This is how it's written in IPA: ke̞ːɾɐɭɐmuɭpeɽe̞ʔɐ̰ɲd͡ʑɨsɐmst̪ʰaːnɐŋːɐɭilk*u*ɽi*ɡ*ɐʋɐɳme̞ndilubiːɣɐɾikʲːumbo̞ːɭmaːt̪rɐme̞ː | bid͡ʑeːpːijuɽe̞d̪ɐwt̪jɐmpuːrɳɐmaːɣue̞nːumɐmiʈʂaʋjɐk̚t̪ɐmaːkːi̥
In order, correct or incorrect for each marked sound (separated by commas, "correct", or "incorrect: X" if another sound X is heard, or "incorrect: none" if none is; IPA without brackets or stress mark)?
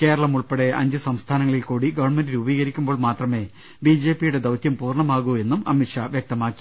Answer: incorrect: uː, correct